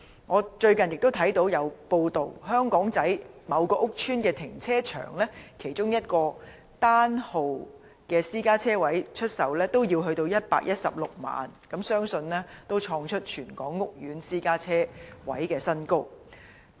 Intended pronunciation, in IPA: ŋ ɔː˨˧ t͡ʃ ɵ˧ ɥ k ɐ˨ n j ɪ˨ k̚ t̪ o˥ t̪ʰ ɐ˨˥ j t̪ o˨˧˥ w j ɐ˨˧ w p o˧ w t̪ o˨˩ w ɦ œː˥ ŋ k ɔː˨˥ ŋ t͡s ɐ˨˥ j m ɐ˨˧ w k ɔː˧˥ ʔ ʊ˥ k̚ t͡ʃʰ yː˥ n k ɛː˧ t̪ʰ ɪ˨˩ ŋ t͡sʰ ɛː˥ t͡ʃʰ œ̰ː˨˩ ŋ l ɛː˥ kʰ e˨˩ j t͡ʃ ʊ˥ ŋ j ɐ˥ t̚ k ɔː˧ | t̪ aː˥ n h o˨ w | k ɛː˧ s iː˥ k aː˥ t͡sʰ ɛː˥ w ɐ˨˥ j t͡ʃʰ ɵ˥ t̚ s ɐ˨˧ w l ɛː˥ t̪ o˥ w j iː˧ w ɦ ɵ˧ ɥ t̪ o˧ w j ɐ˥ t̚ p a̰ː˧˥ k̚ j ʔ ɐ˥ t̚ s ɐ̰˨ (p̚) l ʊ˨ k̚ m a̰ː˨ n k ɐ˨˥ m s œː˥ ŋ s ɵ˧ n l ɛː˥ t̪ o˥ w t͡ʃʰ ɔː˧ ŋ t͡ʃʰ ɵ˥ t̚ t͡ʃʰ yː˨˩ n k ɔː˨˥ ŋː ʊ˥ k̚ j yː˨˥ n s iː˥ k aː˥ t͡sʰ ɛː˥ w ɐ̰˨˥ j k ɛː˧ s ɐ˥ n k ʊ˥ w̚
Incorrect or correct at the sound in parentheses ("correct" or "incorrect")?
correct